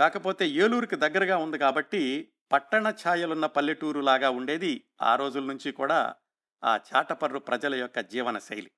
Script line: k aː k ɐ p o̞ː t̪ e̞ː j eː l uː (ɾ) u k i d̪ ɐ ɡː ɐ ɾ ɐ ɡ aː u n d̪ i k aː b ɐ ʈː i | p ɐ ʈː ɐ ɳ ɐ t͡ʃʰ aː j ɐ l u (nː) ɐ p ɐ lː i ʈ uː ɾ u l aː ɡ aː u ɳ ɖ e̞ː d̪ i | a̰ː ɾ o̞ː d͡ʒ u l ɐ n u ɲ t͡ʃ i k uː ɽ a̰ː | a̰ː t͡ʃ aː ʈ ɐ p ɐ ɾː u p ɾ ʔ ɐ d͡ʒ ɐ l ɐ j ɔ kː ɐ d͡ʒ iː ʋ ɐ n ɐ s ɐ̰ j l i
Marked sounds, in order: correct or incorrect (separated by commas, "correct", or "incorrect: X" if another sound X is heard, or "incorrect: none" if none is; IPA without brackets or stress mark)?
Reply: correct, correct